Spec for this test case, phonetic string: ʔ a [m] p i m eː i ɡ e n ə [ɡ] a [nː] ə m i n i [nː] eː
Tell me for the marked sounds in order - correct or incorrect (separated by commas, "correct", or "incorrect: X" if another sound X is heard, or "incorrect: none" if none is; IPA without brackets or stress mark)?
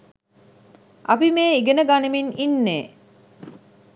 incorrect: none, correct, incorrect: n, correct